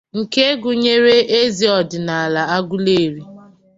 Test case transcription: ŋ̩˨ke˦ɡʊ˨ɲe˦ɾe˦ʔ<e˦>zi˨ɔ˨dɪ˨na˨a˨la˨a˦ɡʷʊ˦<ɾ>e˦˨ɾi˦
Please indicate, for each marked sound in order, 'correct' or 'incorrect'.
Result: correct, incorrect: l

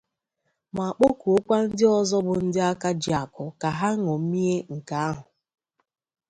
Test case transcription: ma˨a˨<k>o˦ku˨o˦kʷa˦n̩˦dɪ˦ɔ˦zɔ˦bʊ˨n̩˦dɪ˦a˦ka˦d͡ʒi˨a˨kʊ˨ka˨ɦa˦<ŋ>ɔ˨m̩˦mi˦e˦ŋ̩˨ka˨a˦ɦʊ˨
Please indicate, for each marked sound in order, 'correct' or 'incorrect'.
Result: incorrect: k͡p, correct

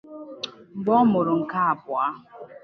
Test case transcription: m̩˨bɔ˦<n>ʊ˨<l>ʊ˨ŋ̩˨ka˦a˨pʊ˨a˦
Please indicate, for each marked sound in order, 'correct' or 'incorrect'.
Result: incorrect: m, incorrect: ɾ

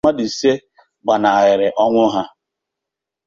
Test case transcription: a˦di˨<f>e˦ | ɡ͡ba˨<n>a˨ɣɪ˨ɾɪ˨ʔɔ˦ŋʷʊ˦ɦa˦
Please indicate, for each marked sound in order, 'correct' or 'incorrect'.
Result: incorrect: s, correct

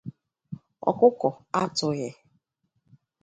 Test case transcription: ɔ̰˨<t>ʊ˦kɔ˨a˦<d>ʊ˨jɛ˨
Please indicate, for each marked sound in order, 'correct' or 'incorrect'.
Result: incorrect: k, incorrect: t

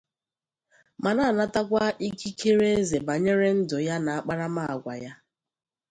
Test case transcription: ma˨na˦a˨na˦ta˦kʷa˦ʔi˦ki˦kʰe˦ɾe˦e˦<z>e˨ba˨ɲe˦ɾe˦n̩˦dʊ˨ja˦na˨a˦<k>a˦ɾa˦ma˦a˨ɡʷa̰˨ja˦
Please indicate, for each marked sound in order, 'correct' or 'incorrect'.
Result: correct, incorrect: k͡p

